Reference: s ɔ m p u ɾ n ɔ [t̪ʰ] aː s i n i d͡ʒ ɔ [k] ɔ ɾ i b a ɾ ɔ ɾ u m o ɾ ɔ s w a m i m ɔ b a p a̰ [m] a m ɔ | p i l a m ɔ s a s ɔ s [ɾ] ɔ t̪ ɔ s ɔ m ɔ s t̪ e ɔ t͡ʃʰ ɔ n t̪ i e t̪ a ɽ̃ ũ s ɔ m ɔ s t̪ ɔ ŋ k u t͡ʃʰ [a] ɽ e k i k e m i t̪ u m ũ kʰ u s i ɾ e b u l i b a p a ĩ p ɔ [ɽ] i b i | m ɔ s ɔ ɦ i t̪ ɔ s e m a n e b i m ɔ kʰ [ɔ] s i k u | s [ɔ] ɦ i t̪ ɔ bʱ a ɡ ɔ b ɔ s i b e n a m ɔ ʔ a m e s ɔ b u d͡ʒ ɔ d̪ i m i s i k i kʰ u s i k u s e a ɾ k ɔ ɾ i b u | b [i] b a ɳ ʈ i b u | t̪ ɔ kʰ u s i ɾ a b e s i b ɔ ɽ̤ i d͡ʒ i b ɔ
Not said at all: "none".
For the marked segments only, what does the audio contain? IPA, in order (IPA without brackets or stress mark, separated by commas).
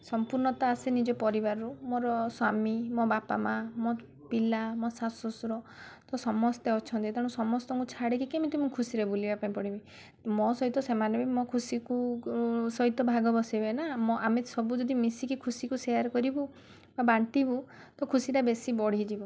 t̪, p, m, ɾ, a, ɽ, u, ɔ, a